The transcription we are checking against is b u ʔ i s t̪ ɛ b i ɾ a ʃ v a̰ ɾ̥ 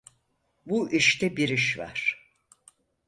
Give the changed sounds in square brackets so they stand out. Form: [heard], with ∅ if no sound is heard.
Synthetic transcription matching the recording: b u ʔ i [ʃ] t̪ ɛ b i ɾ [i] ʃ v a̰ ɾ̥